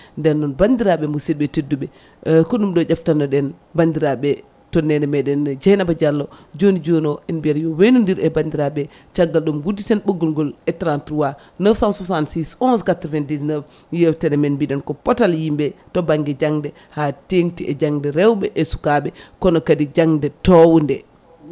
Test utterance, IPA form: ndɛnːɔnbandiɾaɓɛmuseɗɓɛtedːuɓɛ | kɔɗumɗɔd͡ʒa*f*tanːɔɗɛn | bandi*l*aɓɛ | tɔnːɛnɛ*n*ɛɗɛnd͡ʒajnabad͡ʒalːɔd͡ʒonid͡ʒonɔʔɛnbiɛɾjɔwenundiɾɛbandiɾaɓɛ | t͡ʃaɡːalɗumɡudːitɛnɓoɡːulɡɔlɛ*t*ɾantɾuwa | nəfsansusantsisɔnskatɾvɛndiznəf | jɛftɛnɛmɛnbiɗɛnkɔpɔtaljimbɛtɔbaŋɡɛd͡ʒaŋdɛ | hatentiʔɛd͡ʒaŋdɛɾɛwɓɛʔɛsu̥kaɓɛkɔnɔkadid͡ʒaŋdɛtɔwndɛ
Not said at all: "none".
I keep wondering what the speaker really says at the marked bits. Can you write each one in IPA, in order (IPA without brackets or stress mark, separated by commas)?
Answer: f, ɾ, m, t